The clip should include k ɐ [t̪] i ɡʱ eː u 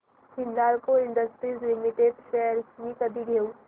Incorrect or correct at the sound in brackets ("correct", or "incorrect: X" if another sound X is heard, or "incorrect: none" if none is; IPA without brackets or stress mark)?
incorrect: d̪